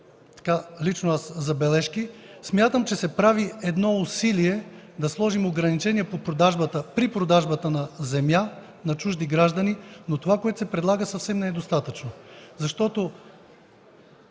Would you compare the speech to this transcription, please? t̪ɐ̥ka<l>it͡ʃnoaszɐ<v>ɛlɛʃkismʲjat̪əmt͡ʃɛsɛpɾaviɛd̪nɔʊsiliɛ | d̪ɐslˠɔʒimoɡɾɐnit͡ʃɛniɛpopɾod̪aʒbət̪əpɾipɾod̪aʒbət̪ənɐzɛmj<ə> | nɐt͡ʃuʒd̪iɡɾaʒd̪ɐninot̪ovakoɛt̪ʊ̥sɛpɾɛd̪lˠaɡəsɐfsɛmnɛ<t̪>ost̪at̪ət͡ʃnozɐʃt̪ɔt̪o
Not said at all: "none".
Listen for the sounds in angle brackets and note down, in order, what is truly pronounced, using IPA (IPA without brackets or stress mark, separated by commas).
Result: l, b, a, d̪